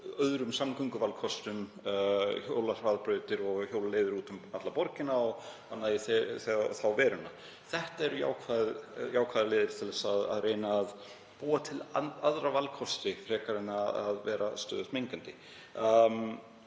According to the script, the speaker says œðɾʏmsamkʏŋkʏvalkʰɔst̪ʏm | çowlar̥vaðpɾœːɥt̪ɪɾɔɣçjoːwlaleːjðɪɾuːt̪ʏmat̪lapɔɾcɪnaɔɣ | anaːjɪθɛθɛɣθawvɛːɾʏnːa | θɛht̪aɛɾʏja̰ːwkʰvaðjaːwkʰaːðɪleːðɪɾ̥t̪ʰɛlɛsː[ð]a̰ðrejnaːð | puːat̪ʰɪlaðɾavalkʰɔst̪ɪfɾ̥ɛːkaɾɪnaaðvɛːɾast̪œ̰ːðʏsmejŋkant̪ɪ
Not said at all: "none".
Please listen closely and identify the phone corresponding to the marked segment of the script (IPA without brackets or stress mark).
ð